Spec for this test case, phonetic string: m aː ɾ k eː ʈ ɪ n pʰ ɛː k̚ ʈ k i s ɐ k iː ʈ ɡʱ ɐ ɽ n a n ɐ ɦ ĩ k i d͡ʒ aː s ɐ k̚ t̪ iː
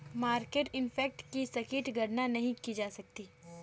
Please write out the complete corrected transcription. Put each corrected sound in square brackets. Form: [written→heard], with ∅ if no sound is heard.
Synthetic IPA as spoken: m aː ɾ k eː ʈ ɪ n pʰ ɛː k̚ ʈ k i s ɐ k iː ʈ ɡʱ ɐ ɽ n a n ɐ ɦ ĩ k i d͡ʒ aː s ɐ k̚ t̪ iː